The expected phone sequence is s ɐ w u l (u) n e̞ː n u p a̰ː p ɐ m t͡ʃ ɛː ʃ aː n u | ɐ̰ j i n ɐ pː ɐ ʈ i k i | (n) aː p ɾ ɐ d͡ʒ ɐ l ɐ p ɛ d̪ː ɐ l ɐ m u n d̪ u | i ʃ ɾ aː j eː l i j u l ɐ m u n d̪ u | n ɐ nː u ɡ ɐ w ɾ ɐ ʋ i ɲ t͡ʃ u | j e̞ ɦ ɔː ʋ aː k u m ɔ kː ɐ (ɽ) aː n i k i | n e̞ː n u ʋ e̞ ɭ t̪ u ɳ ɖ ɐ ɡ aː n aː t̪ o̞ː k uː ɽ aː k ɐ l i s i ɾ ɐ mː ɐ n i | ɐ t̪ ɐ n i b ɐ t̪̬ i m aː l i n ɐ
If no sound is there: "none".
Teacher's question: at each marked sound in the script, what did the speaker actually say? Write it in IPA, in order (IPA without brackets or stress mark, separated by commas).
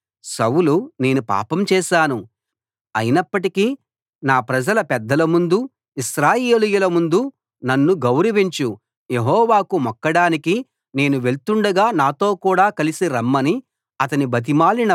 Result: u, n, ɽ